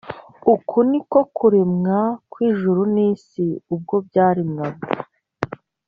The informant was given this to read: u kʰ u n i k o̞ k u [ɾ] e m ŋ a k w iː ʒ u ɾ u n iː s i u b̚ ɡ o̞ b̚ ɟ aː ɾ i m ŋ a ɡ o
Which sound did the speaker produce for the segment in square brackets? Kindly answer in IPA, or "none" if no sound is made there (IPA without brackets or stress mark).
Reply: ɾ